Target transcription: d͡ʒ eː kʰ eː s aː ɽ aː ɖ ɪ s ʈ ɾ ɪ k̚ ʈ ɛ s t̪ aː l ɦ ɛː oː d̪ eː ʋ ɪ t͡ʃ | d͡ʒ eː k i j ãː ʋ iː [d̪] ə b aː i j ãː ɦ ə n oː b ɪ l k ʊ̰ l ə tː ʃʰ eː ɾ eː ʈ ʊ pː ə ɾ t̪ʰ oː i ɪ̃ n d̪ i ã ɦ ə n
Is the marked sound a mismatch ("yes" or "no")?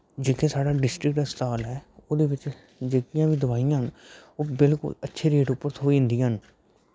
no